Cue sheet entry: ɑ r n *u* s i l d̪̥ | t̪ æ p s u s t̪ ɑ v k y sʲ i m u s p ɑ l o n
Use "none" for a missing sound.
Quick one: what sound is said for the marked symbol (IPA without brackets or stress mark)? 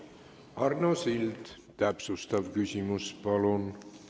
o